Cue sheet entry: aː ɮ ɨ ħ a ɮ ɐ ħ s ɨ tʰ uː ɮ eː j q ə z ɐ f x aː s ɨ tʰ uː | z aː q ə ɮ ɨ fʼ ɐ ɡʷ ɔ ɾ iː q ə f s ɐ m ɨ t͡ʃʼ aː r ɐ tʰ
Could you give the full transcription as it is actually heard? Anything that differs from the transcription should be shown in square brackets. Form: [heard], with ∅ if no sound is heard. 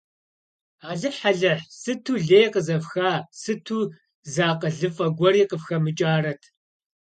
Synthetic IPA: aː ɮ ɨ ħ a ɮ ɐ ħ s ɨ tʰ uː ɮ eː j q ə z ɐ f x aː s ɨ tʰ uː | z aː q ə ɮ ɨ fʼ ɐ ɡʷ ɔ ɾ iː q ə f [x] ɐ m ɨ t͡ʃʼ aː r ɐ tʰ